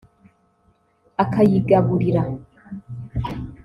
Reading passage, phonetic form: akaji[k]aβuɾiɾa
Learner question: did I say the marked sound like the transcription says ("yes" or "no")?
no